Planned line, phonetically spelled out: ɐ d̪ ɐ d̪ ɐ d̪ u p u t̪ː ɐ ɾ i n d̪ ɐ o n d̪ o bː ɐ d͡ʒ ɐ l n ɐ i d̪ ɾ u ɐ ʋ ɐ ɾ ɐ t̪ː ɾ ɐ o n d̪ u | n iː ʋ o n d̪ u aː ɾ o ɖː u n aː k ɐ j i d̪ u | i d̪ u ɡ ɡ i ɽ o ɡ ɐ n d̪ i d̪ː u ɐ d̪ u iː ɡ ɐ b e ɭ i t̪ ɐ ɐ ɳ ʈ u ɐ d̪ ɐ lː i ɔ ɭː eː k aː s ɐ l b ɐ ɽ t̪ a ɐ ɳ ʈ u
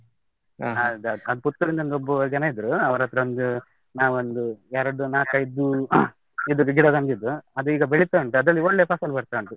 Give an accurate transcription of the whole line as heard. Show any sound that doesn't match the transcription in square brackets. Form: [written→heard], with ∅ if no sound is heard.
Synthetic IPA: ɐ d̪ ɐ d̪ ɐ d̪ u p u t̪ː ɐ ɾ i n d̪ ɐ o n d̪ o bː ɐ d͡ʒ ɐ [l→∅] n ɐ i d̪ ɾ u ɐ ʋ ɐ ɾ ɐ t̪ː ɾ ɐ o n d̪ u | n [iː→aː] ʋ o n d̪ u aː ɾ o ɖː u n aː k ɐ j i d̪ u | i d̪ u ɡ ɡ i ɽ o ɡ ɐ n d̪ i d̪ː u ɐ d̪ u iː ɡ ɐ b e ɭ i t̪ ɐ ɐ ɳ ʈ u ɐ d̪ ɐ lː i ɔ ɭː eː [k→p] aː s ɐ l b ɐ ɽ t̪ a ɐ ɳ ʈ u